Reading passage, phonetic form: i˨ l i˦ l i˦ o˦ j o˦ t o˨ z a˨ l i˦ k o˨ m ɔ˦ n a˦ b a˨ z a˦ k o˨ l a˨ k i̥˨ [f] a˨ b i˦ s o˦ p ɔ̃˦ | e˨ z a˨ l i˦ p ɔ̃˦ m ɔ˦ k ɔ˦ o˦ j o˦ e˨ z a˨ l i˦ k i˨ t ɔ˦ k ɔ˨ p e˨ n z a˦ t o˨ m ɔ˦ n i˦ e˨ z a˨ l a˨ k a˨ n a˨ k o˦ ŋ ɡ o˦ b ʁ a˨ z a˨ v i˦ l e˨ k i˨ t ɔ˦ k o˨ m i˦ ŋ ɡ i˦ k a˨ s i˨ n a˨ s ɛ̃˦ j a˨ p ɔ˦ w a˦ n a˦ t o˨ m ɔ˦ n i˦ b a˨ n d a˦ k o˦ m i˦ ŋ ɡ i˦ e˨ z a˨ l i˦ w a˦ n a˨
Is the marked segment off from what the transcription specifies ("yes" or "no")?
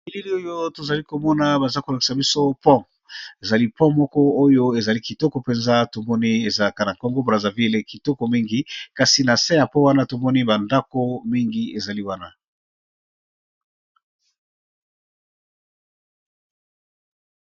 yes